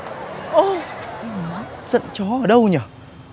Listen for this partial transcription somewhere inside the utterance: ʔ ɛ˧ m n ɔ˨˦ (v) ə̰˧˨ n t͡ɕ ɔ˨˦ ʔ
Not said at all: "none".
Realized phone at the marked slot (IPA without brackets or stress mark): z